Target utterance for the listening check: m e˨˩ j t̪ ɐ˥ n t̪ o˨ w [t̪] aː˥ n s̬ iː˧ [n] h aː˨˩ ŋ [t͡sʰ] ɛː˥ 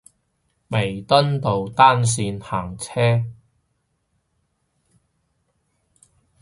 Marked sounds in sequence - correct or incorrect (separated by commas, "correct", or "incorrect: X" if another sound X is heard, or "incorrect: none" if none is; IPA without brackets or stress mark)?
correct, correct, correct